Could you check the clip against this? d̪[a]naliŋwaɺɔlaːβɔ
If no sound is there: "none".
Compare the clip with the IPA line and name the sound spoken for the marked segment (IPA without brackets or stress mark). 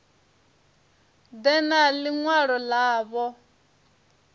ɛ